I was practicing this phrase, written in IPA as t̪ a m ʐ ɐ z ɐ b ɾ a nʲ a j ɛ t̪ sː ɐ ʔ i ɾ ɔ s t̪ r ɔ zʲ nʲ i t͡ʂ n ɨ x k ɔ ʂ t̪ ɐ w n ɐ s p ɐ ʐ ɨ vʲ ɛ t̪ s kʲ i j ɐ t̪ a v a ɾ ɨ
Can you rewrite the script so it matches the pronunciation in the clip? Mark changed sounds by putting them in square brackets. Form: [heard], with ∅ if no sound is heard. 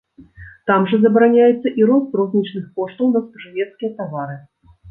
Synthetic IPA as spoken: t̪ a m ʐ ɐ z ɐ b ɾ a nʲ a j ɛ t̪ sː ɐ ʔ i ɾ ɔ s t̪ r ɔ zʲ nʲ i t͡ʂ n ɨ x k ɔ ʂ t̪ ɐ w n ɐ s p ɐ ʐ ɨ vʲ ɛ t̪ s kʲ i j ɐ t̪ a v a ɾ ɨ

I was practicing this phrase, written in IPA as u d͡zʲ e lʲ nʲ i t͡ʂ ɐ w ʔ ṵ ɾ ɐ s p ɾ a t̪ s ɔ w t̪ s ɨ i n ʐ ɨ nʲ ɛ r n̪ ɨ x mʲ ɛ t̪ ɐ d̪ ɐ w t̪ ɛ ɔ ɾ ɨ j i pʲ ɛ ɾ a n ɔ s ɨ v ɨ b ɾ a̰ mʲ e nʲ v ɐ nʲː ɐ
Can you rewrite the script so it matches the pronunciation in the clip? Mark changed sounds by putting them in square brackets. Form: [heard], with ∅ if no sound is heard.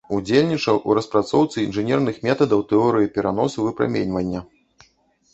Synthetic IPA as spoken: u d͡zʲ e lʲ nʲ i t͡ʂ ɐ w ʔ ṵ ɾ ɐ s p ɾ a t̪ s ɔ w t̪ s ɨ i n ʐ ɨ nʲ ɛ r n̪ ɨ x mʲ ɛ t̪ ɐ d̪ ɐ w t̪ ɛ ɔ ɾ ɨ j i pʲ ɛ ɾ a n ɔ s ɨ v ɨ [p] ɾ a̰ mʲ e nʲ v ɐ nʲː ɐ

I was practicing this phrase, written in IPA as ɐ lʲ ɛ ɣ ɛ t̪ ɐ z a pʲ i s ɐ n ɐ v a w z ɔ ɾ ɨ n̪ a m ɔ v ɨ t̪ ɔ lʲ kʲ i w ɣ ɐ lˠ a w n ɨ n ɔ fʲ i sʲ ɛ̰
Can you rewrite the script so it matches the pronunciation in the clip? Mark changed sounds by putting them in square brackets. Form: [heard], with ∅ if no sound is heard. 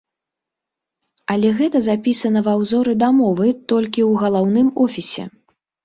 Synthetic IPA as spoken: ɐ lʲ ɛ ɣ ɛ t̪ ɐ z a pʲ i s ɐ n ɐ v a w z ɔ ɾ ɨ [d̪] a m ɔ v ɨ t̪ ɔ lʲ kʲ i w ɣ ɐ lˠ a w n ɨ [m] ɔ fʲ i sʲ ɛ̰

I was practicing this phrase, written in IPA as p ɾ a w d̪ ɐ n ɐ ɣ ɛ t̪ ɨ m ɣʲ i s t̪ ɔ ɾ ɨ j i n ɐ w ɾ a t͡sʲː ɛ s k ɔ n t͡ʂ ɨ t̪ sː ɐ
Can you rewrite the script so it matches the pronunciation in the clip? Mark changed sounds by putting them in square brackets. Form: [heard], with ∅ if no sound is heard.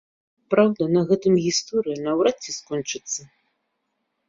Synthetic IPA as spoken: p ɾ a w d̪ ɐ n ɐ ɣ ɛ t̪ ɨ m ɣʲ i s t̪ ɔ ɾ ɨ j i n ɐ w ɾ a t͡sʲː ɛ s k ɔ n t͡ʂ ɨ t̪ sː ɐ

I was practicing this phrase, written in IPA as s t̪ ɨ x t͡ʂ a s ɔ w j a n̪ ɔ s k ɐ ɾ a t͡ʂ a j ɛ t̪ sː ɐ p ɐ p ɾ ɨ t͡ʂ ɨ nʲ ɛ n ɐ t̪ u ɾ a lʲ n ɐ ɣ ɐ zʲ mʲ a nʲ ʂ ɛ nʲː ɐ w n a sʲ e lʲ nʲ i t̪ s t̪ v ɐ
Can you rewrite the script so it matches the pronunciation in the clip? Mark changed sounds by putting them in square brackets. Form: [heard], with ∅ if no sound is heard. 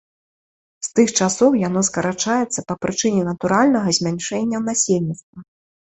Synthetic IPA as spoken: s t̪ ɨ x t͡ʂ a s ɔ w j a n̪ ɔ s k ɐ ɾ a t͡ʂ a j ɛ t̪ sː ɐ p ɐ p ɾ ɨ t͡ʂ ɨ nʲ ɛ n ɐ t̪ u ɾ a lʲ n ɐ ɣ ɐ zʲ mʲ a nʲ ʂ ɛ nʲː ɐ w n a sʲ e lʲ nʲ i t̪ s t̪ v ɐ

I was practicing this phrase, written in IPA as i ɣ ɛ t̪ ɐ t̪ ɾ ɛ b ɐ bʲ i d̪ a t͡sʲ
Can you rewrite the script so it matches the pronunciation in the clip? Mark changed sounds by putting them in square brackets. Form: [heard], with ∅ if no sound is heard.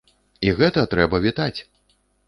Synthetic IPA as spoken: i ɣ ɛ t̪ ɐ t̪ ɾ ɛ b ɐ [vʲ] i [t̪] a t͡sʲ

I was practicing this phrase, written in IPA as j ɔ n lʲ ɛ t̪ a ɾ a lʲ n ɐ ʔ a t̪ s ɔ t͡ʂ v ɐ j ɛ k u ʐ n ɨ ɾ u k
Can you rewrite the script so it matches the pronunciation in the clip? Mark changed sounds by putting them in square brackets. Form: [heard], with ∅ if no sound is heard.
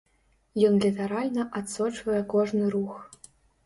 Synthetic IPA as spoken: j ɔ n lʲ [i] t̪ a ɾ a lʲ n ɐ ʔ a t̪ s ɔ t͡ʂ v ɐ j ɛ k [ɔ] ʐ n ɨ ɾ u [x]

